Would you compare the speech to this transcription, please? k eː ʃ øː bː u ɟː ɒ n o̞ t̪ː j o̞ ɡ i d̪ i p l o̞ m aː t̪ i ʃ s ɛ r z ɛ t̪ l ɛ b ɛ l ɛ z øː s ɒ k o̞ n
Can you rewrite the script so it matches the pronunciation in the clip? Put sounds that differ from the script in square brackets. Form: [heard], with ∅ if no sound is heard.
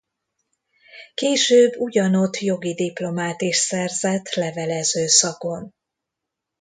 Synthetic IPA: k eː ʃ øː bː u [ɟ] ɒ n o̞ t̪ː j o̞ ɡ i d̪ i p l o̞ m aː t̪ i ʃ s ɛ r z ɛ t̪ l ɛ [v] ɛ l ɛ z øː s ɒ k o̞ n